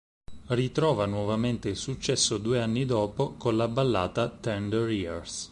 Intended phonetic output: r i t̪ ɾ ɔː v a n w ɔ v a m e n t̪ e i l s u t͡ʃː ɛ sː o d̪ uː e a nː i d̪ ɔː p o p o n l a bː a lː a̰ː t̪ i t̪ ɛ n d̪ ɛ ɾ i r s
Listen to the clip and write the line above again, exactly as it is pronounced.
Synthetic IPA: r i t̪ ɾ ɔː v a n w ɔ v a m e n t̪ e i l s u t͡ʃː ɛ sː o d̪ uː e a nː i d̪ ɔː p o k o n l a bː a lː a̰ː t̪ a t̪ ɛ n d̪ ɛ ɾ i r s